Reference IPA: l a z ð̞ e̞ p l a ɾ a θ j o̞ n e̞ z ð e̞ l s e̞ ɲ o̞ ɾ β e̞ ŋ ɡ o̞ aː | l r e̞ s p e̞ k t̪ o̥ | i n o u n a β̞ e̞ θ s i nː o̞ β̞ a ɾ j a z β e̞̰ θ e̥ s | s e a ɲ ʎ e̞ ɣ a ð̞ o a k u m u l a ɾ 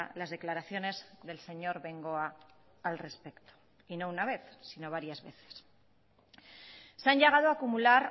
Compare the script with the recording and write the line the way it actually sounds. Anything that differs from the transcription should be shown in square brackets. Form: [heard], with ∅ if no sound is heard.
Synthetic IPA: l a z ð̞ e̞ [k] l a ɾ a θ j o̞ n e̞ z ð e̞ l s e̞ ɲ o̞ ɾ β e̞ ŋ ɡ o̞ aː | l r e̞ s p e̞ k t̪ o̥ | i n o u n a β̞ e̞ θ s i [n] o̞ β̞ a ɾ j a z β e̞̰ θ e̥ s | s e a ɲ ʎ e̞ ɣ a ð̞ o a k u m u l a ɾ